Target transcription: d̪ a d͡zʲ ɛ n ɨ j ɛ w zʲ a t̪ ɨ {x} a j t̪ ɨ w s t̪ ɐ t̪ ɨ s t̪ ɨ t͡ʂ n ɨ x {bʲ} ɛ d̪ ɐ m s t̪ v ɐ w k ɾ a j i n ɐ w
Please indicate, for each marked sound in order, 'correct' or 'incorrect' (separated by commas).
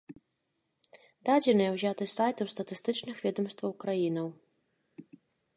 incorrect, incorrect